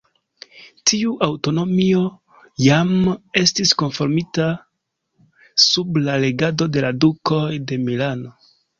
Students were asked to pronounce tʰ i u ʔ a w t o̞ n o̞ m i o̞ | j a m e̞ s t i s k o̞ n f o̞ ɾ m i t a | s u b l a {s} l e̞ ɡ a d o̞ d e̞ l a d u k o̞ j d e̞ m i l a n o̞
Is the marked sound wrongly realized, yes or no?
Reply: yes